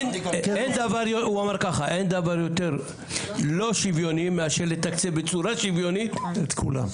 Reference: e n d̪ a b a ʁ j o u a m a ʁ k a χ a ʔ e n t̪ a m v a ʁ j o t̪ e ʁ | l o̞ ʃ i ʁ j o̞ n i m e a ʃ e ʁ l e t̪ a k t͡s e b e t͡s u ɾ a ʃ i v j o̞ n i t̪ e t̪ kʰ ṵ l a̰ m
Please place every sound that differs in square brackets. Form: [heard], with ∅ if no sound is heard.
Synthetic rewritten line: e n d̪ a [v] a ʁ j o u a m a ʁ k a χ a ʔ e n [d̪] a [∅] v a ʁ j o t̪ e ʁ | l o̞ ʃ i [v] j o̞ n i m e a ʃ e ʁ l e t̪ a k t͡s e b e t͡s u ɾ a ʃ i v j o̞ n i t̪ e t̪ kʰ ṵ l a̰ m